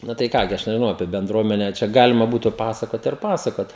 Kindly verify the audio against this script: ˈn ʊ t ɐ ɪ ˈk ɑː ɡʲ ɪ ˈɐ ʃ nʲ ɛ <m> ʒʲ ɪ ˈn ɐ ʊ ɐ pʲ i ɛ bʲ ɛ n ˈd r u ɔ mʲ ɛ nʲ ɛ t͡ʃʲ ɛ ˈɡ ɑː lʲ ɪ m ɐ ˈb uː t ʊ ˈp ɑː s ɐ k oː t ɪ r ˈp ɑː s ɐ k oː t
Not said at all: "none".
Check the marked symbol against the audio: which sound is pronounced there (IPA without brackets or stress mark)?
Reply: none